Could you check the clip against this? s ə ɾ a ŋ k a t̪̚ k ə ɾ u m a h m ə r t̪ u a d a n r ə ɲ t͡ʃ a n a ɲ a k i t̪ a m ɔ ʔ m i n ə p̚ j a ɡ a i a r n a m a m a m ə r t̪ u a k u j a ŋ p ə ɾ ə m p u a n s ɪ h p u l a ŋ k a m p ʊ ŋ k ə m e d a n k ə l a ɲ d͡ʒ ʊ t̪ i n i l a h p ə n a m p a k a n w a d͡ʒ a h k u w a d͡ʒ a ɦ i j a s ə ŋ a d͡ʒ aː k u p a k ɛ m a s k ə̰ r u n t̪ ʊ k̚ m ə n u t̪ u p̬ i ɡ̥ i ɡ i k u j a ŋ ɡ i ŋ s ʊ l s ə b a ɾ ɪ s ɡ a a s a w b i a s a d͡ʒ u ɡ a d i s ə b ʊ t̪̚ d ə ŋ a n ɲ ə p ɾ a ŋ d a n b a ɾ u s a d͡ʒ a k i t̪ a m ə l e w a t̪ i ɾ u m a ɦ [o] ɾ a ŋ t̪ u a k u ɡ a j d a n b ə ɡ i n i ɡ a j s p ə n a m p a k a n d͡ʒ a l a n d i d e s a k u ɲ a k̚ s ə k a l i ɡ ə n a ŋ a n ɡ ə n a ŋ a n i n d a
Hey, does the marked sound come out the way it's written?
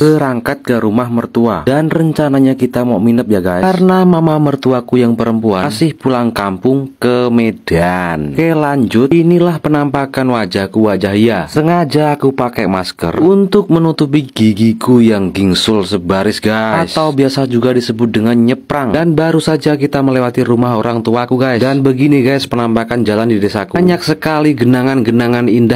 yes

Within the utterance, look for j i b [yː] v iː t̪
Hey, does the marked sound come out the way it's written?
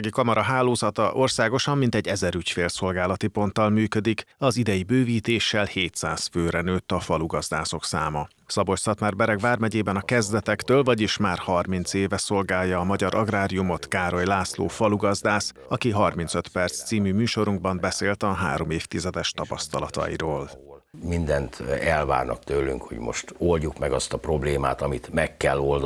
no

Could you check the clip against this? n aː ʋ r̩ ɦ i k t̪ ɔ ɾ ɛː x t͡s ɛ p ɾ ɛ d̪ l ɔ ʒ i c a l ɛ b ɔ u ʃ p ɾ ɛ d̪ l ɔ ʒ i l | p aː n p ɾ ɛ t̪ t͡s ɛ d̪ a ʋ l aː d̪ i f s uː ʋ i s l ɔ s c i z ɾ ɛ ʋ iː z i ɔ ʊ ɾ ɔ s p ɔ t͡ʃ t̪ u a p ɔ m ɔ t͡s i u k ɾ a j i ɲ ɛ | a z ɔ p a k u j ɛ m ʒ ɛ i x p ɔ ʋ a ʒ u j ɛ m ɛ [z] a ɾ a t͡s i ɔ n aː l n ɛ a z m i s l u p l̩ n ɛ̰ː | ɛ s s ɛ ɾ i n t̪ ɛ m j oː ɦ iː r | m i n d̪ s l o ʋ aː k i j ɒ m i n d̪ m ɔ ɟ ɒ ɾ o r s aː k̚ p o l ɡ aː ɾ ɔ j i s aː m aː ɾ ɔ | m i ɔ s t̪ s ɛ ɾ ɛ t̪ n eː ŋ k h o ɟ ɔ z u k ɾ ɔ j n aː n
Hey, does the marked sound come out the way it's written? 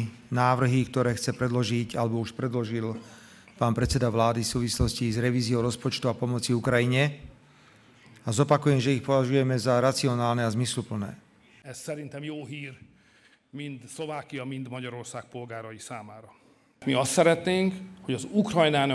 yes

